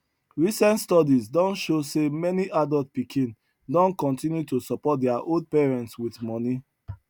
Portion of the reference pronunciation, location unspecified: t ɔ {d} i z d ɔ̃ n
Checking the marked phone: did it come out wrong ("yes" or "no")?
no